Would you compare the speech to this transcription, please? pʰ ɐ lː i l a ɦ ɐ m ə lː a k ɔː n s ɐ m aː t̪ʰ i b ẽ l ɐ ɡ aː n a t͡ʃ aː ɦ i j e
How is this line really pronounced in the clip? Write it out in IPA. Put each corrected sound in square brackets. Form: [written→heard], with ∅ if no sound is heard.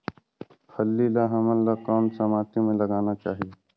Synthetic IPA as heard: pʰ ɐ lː i l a ɦ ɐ m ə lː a k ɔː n s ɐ m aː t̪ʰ i [b→m] ẽ l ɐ ɡ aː n a t͡ʃ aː ɦ i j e